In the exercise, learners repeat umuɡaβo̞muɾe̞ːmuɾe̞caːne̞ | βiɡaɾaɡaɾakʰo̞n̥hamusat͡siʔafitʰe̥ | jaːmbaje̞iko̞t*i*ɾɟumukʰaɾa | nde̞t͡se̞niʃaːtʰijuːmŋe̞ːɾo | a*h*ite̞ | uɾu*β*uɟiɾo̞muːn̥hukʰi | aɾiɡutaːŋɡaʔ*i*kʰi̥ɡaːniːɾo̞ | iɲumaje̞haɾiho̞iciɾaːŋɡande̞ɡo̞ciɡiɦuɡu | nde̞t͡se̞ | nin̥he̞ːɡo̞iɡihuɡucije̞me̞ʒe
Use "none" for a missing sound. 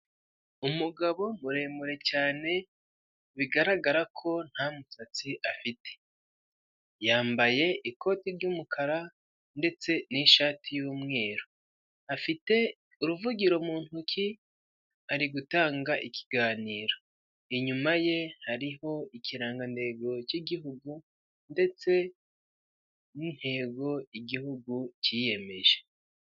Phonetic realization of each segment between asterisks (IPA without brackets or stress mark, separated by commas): i, f, v, i